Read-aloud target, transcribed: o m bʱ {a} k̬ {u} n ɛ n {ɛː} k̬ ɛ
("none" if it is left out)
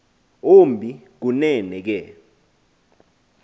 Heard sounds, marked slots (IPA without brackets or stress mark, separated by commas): i, u, ɛ